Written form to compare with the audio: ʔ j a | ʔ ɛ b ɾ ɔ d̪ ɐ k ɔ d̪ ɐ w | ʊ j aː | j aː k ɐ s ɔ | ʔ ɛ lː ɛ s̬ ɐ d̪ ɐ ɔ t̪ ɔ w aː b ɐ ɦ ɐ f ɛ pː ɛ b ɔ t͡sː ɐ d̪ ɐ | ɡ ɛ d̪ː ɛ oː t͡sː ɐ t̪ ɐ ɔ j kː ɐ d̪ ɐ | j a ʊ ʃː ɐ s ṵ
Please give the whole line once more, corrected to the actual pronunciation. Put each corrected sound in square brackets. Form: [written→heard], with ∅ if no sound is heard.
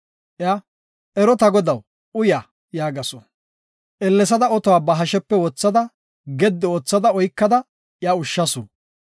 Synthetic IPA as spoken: ʔ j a | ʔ ɛ [b→∅] ɾ ɔ [d̪→t̪] ɐ [k→ɡ] ɔ d̪ ɐ w | ʊ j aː | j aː [k→ɡ] ɐ s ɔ | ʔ ɛ lː ɛ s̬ ɐ d̪ ɐ ɔ t̪ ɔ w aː b ɐ ɦ ɐ [f→ʃ] ɛ pː ɛ [b→w] ɔ t͡sː ɐ d̪ ɐ | ɡ ɛ d̪ː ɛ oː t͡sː ɐ [t̪→d̪] ɐ ɔ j kː ɐ d̪ ɐ | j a ʊ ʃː ɐ s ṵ